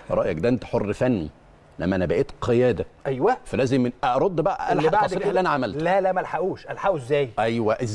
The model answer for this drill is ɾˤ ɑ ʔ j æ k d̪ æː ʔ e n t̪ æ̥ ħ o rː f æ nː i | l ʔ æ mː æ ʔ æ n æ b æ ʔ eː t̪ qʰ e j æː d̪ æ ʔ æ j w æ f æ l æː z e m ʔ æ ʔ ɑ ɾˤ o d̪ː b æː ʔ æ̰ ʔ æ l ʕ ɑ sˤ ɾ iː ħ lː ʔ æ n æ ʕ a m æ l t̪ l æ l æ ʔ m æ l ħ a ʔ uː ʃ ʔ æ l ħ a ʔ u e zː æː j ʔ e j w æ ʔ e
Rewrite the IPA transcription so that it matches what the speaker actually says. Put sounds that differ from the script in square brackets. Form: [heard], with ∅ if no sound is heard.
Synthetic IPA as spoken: ɾˤ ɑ ʔ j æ k d̪ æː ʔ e n t̪ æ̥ ħ o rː f æ nː i | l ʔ æ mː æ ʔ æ n æ b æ ʔ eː t̪ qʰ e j æː d̪ æ ʔ æ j w æ f æ l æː z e m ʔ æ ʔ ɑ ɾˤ o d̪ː b [æ] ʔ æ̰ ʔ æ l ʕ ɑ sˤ ɾ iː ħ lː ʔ æ n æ ʕ a m æ l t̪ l æ l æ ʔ m æ l ħ a ʔ uː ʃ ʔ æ l ħ a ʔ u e zː æː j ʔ [æ] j w æ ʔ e